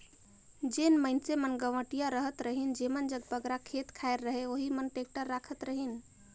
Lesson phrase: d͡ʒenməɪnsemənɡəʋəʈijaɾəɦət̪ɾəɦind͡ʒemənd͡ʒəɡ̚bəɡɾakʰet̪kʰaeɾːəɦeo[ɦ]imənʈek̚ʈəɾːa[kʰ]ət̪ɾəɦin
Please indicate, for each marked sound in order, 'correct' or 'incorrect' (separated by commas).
correct, correct